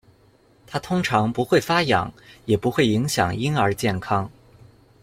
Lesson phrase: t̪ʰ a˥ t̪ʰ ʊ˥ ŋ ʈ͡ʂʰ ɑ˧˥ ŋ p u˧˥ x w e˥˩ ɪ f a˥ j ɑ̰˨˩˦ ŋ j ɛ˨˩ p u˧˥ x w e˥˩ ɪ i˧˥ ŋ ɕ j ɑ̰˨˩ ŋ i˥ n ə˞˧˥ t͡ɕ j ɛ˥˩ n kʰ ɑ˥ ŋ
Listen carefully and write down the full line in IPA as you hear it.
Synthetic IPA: t̪ʰ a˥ t̪ʰ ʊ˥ ŋ ʈ͡ʂʰ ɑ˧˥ ŋ p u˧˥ x w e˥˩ ɪ f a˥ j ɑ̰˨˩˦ ŋ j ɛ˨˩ p u˧˥ x w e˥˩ ɪ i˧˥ ŋ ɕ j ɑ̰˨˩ ŋ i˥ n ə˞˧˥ t͡ɕ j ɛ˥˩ n kʰ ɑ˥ ŋ